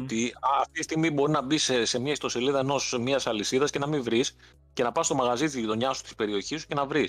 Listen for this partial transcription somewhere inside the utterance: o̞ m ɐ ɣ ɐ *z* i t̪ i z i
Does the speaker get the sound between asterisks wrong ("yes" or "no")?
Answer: no